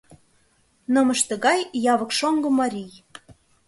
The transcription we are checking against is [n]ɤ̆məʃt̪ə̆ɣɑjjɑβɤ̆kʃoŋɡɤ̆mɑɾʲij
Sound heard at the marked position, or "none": n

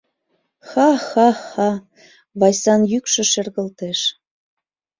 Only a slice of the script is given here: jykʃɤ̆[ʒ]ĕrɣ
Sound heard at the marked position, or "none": ʃ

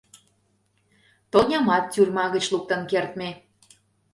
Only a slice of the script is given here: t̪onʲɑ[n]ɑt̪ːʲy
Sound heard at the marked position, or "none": m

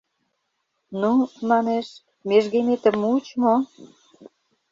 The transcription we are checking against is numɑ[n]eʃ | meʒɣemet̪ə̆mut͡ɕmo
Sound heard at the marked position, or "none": n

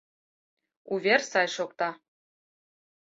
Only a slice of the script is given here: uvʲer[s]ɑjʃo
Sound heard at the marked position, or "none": s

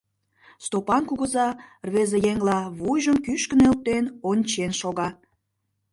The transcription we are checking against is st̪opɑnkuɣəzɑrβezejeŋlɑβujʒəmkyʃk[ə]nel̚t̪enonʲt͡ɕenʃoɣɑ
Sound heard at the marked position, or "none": ə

